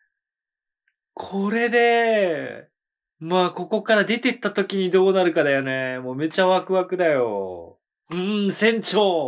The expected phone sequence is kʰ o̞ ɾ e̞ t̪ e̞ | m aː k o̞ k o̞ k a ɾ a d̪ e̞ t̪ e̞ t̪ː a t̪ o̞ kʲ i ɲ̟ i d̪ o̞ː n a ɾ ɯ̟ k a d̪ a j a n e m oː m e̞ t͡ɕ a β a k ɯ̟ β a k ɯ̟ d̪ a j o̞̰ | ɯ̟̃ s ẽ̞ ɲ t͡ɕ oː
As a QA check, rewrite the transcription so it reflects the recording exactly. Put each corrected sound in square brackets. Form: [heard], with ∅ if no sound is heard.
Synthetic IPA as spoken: kʰ o̞ ɾ e̞ [d̪] e̞ | m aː k o̞ k o̞ k a ɾ a d̪ e̞ t̪ e̞ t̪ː a t̪ o̞ kʲ i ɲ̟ i d̪ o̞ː n a ɾ ɯ̟ k a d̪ a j a n e m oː m e̞ t͡ɕ a β a k ɯ̟ β a k ɯ̟ d̪ a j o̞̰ | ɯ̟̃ s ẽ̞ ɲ t͡ɕ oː